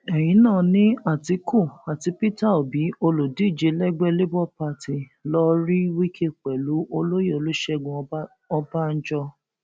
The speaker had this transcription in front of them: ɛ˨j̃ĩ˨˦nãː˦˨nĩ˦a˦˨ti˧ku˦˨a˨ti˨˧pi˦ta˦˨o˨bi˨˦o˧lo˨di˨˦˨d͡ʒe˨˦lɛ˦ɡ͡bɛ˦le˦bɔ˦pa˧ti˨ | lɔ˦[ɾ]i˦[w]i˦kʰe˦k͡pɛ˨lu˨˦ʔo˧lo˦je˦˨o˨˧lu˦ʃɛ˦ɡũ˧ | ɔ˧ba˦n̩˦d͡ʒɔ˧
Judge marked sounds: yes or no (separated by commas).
yes, yes